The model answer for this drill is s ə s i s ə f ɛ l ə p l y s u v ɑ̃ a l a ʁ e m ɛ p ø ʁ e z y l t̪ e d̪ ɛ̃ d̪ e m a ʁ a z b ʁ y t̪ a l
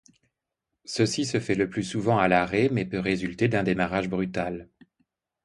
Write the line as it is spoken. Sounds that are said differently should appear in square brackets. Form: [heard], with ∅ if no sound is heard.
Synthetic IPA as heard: s ə s i s ə f ɛ l ə p l y s u v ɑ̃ a l a ʁ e m ɛ p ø ʁ e z y l t̪ e d̪ ɛ̃ d̪ e m a ʁ a [ʒ] b ʁ y t̪ a l